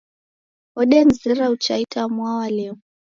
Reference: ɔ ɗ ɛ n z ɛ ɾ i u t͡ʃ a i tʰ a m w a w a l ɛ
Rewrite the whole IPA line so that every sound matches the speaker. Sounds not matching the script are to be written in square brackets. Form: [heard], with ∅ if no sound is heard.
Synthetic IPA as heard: ɔ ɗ ɛ n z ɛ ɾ [a] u t͡ʃ a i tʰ a m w a w a l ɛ